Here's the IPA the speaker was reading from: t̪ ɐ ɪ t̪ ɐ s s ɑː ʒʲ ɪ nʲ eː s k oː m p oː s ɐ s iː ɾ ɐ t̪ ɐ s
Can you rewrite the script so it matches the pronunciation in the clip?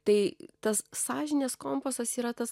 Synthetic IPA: t̪ ɐ ɪ t̪ ɐ s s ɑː ʒʲ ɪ nʲ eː s k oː m p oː s ɐ s iː ɾ ɐ t̪ ɐ s